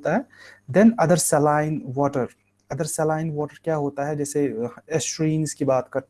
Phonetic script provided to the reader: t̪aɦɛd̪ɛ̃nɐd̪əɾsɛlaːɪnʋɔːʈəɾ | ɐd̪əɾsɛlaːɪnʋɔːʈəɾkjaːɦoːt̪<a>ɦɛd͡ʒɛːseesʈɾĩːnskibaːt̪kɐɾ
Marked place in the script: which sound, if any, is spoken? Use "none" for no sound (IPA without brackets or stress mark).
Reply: a